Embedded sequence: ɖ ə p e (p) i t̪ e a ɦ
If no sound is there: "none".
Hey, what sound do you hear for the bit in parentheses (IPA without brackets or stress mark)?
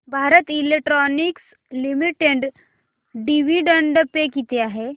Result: k